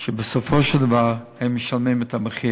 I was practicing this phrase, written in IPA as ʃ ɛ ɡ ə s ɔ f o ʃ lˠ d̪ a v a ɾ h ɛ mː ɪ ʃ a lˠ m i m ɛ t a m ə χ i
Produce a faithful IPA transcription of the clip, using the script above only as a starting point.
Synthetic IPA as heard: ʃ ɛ b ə s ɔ f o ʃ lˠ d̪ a v a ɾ h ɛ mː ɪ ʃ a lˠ m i m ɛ t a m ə χ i